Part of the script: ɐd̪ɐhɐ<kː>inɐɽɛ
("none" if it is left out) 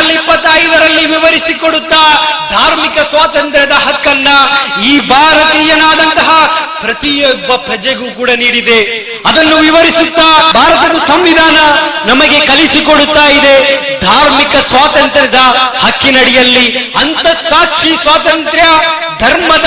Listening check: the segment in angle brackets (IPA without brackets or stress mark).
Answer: kː